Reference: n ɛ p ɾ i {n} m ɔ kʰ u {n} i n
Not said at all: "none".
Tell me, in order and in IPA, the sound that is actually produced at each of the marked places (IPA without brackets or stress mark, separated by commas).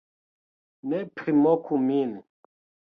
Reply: none, m